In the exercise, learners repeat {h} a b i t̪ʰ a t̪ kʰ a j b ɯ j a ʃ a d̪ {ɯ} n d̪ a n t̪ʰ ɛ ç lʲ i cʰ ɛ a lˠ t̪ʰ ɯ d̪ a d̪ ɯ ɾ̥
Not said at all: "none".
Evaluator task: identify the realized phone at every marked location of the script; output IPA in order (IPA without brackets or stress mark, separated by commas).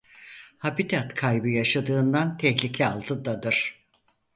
h, ɯː